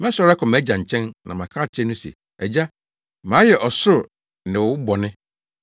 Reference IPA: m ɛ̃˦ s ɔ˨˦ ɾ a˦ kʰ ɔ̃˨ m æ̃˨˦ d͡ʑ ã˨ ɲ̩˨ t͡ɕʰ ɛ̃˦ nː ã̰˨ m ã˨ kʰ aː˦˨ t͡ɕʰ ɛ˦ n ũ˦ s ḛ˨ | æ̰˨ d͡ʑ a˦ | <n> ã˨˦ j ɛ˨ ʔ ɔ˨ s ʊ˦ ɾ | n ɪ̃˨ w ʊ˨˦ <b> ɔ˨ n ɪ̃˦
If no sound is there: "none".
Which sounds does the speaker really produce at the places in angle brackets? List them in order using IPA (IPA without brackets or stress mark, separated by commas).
m, b